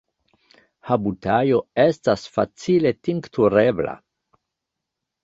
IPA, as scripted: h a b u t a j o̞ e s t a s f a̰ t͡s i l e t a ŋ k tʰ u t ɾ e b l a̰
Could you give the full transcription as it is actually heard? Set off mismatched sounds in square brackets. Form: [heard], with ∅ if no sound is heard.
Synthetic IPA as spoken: h a b u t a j o̞ e s t a s f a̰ t͡s i l e t [i] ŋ k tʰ u [∅] ɾ e b l a̰